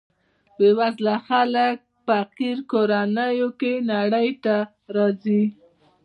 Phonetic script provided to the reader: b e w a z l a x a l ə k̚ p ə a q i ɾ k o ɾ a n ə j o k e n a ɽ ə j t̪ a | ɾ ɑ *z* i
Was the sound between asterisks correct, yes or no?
yes